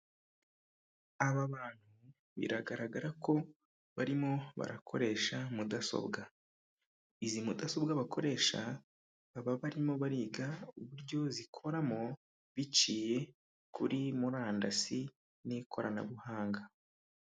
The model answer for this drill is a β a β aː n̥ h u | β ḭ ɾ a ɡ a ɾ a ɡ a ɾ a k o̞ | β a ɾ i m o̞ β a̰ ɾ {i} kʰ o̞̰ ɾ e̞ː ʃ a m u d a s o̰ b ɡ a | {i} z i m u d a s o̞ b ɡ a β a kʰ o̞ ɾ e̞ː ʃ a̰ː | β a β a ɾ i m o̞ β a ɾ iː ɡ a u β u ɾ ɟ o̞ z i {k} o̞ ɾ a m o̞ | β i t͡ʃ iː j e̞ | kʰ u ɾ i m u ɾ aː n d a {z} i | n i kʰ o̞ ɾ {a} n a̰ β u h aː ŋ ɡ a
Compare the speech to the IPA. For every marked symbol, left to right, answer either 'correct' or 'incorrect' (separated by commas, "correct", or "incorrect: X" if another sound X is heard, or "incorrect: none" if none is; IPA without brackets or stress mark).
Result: incorrect: a, correct, incorrect: kʰ, incorrect: s, correct